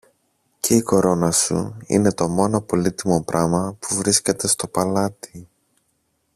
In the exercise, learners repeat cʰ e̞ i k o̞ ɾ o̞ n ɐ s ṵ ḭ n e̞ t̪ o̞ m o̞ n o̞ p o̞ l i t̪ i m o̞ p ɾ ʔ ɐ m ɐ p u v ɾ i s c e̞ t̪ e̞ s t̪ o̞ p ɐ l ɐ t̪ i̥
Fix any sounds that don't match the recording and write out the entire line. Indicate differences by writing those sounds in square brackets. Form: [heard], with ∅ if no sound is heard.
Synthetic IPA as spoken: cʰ e̞ i k o̞ ɾ o̞ n ɐ s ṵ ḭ n e̞ t̪ o̞ m o̞ n o̞ p o̞ l i t̪ i m o̞ p ɾ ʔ ɐ m ɐ p u v ɾ i s c e̞ t̪ e̞ s t̪ o̞ p ɐ l ɐ t̪ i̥

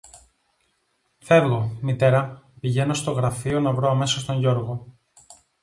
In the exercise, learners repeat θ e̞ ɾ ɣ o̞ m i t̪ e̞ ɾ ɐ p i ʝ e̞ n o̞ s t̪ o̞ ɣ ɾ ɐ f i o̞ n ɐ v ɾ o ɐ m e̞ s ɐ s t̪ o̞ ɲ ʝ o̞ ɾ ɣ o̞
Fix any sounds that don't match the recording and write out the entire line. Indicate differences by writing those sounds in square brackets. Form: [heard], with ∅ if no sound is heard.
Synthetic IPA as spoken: θ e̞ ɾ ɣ o̞ m i t̪ e̞ ɾ ɐ p i ʝ e̞ n o̞ s t̪ o̞ ɣ ɾ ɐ f i o̞ n ɐ v ɾ o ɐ m e̞ s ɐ s t̪ o̞ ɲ ʝ o̞ ɾ ɣ o̞

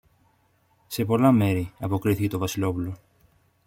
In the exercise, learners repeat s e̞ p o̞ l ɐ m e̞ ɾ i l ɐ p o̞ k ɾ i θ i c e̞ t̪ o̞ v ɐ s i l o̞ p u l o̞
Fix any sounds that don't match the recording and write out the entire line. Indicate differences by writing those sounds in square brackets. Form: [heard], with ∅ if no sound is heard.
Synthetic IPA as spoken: s e̞ p o̞ l ɐ m e̞ ɾ i [∅] ɐ p o̞ k ɾ i θ i c e̞ t̪ o̞ v ɐ s i l o̞ p u l o̞

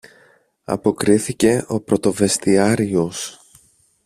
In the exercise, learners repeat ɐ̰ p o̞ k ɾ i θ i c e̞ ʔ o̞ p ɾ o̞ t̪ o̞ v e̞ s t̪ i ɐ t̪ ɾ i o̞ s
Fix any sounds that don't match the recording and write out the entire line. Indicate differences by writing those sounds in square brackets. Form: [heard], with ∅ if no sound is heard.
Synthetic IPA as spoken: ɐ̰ p o̞ k ɾ i θ i c e̞ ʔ o̞ p ɾ o̞ t̪ o̞ v e̞ s t̪ i ɐ [∅] ɾ i o̞ s

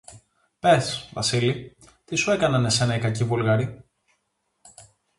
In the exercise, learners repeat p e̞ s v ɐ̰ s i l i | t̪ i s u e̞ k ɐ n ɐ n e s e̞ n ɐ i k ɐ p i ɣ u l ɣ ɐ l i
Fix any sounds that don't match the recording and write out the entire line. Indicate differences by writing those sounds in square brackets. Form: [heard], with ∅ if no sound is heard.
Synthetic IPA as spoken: p e̞ s v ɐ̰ s i l i | t̪ i s u e̞ k ɐ n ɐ n e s e̞ n ɐ i k ɐ [c] i [v] u l ɣ ɐ [ɾ] i

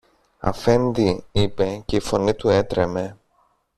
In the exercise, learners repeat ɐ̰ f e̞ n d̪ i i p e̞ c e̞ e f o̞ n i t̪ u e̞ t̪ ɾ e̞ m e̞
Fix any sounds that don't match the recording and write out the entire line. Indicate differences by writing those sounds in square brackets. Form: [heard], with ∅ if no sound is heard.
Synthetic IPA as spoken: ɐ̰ f e̞ n d̪ i i p e̞ c e̞ [i] f o̞ n i t̪ u e̞ t̪ ɾ e̞ m e̞

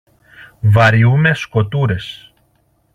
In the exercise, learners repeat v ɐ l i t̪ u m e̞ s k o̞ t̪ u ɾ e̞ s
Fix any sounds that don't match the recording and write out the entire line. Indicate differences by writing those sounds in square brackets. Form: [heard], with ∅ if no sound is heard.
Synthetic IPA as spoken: v ɐ [ɾ] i [∅] u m e̞ s k o̞ t̪ u ɾ e̞ s

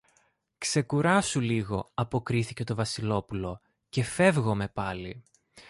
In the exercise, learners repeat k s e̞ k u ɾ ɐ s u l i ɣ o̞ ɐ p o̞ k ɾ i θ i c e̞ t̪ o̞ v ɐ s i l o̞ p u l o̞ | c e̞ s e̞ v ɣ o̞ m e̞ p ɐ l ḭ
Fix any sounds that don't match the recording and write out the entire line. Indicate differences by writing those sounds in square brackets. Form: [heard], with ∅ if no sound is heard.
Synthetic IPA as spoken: k s e̞ k u ɾ ɐ s u l i ɣ o̞ ɐ p o̞ k ɾ i θ i c e̞ t̪ o̞ v ɐ s i l o̞ p u l o̞ | c e̞ [f] e̞ v ɣ o̞ m e̞ p ɐ l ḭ

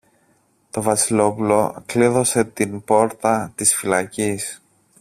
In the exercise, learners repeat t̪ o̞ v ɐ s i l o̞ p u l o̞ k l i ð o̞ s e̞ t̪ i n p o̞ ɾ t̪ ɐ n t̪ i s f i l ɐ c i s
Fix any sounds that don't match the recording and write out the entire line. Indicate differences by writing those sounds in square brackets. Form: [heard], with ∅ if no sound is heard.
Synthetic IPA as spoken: t̪ o̞ v ɐ s i l o̞ p u l o̞ k l i ð o̞ s e̞ t̪ i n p o̞ ɾ t̪ ɐ [∅] t̪ i s f i l ɐ c i s

